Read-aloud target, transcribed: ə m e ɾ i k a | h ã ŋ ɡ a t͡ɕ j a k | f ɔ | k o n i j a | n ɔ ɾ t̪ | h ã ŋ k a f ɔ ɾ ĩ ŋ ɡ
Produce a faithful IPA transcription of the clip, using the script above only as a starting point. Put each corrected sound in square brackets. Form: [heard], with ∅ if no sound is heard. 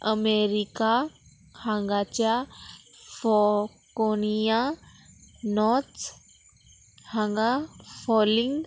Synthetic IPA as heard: ə m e ɾ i k a | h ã ŋ ɡ a t͡ɕ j a [∅] | f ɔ | k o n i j a | n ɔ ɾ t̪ | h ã ŋ [ɡ] a f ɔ [l] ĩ ŋ ɡ